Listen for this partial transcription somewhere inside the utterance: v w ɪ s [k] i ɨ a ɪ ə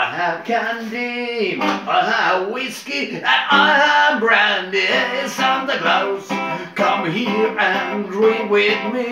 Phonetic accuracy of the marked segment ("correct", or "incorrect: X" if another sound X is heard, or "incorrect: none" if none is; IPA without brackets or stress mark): correct